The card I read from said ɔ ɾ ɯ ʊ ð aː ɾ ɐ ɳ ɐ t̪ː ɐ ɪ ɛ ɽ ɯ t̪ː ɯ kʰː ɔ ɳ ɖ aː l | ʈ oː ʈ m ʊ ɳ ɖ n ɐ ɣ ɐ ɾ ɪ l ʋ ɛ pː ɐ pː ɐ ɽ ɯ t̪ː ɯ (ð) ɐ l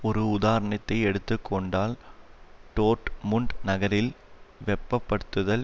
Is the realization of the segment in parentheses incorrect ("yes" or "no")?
no